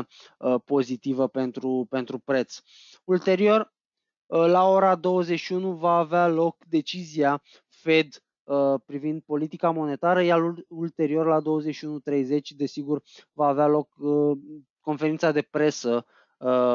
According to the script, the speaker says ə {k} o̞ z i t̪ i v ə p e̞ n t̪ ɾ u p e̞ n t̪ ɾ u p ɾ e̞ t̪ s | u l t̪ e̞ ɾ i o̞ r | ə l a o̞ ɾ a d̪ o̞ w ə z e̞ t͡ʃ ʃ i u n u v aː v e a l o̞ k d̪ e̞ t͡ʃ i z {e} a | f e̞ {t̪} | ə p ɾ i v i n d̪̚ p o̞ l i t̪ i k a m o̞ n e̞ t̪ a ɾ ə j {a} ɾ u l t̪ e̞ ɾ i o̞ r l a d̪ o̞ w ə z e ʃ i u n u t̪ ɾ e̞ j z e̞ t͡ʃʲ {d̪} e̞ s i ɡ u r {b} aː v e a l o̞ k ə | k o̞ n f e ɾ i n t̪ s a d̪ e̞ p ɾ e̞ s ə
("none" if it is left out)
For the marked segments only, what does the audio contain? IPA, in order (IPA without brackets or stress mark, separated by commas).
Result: p, i, d̪, a, d̪, v